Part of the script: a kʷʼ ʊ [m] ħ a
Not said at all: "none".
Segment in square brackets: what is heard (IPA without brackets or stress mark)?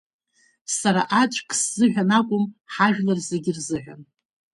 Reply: m